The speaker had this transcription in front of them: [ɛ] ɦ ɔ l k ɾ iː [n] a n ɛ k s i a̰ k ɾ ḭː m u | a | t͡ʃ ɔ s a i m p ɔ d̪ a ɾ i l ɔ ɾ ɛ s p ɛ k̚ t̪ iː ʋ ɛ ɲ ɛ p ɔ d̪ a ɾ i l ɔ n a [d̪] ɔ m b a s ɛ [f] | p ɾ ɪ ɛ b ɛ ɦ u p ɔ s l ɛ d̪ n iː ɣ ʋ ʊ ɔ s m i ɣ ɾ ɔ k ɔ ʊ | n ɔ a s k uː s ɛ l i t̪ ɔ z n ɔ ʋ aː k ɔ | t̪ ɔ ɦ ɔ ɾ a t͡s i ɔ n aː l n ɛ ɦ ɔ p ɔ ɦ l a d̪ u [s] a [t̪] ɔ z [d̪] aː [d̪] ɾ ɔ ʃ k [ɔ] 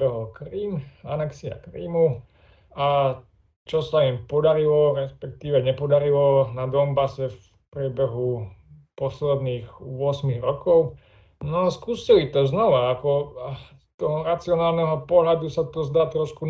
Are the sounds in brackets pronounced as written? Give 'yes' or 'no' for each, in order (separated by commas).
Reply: yes, no, yes, yes, yes, yes, yes, no, no